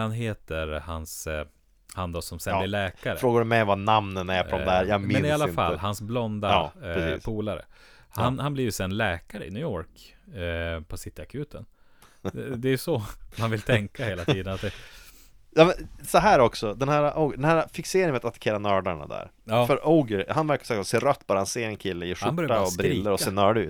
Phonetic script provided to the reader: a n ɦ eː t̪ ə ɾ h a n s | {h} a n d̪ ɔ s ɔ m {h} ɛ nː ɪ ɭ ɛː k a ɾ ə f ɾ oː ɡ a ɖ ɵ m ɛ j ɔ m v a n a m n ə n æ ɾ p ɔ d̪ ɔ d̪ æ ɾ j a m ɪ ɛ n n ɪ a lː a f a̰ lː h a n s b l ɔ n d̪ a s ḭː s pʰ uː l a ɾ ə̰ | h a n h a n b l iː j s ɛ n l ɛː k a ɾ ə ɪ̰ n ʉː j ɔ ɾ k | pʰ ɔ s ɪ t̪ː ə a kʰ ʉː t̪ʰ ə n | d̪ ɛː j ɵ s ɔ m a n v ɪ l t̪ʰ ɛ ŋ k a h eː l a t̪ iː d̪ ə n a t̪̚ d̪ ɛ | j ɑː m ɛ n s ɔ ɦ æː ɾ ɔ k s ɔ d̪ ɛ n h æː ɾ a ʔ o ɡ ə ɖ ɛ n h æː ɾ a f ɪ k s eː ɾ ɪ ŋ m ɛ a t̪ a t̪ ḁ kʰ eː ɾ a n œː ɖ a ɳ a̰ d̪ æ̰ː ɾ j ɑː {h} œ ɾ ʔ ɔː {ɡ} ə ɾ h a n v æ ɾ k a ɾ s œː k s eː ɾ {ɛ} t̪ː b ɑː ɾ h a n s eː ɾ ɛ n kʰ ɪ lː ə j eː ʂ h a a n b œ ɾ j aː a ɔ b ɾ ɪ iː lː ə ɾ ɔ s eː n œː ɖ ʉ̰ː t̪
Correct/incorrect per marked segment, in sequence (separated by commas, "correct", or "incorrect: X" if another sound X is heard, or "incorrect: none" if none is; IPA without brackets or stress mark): correct, incorrect: s, incorrect: f, correct, incorrect: œ